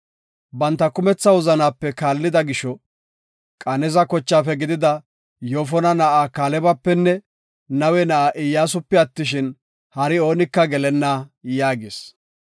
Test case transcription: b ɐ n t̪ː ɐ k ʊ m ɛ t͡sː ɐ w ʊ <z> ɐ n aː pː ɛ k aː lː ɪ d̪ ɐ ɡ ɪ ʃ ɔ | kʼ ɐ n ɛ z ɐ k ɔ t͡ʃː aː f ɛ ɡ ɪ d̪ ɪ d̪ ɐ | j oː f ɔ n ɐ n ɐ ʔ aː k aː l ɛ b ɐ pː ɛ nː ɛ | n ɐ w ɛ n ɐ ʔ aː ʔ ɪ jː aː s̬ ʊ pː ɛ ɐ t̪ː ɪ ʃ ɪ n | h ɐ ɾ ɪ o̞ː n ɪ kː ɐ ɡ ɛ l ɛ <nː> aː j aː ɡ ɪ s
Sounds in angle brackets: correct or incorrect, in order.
correct, correct

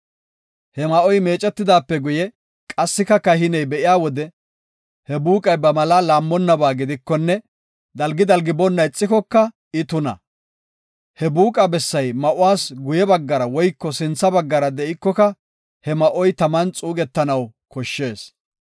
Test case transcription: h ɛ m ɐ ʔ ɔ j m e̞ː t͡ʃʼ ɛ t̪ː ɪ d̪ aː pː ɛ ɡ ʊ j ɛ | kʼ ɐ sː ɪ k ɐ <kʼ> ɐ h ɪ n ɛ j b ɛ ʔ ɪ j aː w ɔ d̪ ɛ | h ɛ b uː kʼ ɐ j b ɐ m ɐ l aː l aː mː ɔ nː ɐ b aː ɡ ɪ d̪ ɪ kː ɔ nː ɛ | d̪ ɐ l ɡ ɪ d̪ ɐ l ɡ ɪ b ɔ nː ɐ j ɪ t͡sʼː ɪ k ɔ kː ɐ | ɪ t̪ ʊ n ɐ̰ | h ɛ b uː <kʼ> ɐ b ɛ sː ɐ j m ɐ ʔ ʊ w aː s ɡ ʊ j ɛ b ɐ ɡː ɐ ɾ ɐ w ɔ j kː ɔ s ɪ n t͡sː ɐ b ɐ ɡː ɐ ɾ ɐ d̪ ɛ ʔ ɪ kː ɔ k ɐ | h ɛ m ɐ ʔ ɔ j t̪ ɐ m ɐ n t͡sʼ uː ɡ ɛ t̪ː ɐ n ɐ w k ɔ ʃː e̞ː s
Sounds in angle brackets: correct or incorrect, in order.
incorrect, correct

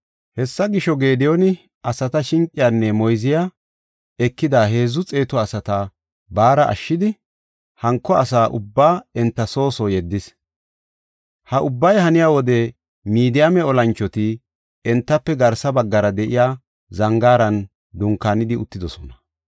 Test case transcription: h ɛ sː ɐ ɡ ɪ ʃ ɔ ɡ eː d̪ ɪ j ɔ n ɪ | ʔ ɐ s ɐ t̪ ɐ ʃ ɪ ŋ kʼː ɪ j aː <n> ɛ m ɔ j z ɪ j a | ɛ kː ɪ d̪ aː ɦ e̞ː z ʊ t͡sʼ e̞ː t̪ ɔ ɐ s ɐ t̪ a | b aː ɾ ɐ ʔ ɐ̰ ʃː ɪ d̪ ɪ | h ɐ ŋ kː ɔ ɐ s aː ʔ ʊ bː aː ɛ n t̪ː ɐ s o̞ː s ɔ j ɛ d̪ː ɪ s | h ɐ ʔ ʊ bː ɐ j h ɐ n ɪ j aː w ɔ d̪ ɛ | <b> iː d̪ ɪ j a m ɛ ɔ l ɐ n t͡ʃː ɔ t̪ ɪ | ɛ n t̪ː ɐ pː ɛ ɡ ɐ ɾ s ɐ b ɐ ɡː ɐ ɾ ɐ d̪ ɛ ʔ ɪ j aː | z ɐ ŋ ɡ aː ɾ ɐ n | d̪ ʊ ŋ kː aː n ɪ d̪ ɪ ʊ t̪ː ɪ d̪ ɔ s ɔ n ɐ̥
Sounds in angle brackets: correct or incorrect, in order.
incorrect, incorrect

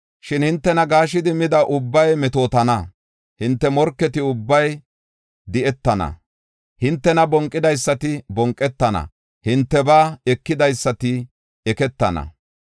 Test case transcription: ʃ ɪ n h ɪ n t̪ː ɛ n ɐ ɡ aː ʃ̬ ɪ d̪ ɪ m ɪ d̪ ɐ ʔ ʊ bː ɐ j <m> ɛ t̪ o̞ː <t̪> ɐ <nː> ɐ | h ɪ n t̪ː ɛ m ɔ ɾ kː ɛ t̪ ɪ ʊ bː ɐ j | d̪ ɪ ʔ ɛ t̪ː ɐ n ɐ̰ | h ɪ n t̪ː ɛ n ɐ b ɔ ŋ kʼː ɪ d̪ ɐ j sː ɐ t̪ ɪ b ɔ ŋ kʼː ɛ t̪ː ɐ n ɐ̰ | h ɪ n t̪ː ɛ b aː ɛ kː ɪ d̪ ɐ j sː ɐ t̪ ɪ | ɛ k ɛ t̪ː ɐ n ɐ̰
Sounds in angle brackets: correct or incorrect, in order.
correct, correct, incorrect

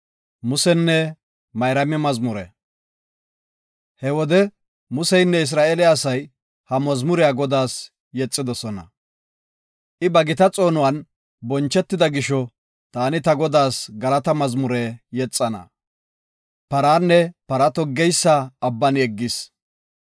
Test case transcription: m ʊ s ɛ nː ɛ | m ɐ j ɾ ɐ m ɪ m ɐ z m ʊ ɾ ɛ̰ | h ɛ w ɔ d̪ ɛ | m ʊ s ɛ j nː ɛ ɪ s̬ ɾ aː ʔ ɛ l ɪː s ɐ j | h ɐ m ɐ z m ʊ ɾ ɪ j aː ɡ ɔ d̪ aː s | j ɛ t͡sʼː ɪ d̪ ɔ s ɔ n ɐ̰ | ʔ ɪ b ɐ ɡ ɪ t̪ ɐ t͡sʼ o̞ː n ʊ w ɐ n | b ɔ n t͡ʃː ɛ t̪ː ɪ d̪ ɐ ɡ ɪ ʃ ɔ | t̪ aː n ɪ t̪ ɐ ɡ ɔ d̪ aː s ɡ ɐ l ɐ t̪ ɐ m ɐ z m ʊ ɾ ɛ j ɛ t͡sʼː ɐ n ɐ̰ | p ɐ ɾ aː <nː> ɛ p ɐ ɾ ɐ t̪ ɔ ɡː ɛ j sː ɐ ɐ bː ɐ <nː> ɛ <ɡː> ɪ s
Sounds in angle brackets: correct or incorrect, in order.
correct, incorrect, correct

